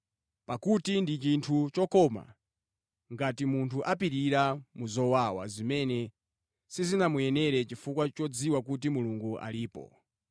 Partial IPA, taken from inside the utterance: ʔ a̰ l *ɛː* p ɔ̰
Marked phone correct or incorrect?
incorrect